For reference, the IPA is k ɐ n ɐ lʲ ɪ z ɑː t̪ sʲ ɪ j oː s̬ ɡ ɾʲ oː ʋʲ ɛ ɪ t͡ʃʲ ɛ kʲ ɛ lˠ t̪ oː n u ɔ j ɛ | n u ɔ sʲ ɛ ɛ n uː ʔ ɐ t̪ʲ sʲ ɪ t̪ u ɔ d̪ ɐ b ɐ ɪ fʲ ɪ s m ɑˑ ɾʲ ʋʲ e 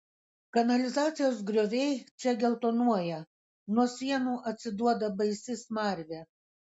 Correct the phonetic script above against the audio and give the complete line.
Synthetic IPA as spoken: k ɐ n ɐ lʲ ɪ z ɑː t̪ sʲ ɪ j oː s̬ ɡ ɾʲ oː ʋʲ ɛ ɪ t͡ʃʲ ɛ ɡʲ ɛ lˠ t̪ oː n u ɔ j ɛ | n u ɔ sʲ i ɛ n uː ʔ ɐ t̪ʲ sʲ ɪ d̪ u ɔ d̪ ɐ b ɐ ɪ sʲ ɪ s m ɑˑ ɾʲ ʋʲ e